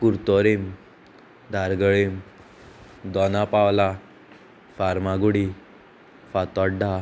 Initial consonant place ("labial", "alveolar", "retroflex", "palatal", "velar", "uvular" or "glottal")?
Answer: velar